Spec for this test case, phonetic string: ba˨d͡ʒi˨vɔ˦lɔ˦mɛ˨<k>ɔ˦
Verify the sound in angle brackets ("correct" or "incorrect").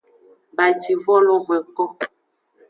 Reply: correct